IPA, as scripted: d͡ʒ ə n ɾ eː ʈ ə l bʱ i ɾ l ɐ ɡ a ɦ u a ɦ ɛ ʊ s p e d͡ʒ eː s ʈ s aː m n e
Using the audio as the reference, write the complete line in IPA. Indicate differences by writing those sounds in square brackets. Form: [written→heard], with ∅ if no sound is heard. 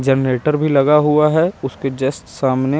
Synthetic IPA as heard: d͡ʒ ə n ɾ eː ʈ ə [l→ɾ] bʱ i [ɾ→∅] l ɐ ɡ a ɦ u a ɦ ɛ ʊ s [p→k] e d͡ʒ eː s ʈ s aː m n e